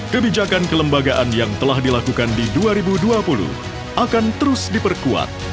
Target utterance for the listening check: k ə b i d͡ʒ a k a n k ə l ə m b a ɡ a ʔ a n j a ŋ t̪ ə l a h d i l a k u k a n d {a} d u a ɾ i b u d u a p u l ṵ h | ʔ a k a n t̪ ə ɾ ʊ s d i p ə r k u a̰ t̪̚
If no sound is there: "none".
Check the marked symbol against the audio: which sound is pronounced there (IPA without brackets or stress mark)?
i